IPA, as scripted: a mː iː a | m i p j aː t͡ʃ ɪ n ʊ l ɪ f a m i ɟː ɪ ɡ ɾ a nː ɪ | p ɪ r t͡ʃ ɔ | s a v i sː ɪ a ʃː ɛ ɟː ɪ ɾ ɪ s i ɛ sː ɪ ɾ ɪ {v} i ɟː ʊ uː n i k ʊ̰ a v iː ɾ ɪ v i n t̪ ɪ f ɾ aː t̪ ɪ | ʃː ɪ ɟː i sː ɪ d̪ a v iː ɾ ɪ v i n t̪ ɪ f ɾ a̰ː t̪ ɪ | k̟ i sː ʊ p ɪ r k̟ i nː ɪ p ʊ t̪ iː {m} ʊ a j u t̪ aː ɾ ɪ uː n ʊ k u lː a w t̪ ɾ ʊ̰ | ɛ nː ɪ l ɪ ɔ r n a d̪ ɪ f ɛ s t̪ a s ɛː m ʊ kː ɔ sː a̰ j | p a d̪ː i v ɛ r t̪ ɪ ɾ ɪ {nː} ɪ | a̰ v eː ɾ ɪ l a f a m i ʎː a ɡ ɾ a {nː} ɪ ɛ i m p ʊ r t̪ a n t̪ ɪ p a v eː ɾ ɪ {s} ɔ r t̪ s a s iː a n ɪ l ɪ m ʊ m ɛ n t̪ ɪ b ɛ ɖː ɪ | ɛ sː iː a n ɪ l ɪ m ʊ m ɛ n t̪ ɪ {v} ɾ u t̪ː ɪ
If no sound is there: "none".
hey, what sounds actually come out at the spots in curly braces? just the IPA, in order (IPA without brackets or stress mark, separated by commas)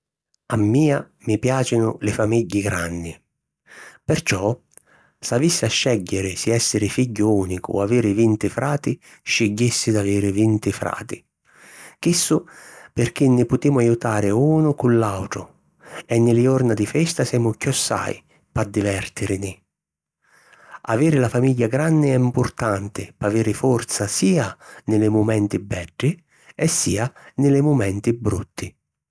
f, m, n, nː, f, b